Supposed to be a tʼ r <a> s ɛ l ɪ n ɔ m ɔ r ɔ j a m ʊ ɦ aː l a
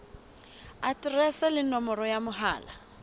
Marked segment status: incorrect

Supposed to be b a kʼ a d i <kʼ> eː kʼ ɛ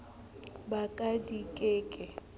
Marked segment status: correct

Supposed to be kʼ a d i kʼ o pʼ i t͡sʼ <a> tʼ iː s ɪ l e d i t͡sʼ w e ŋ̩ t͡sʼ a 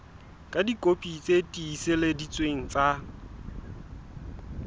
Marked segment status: incorrect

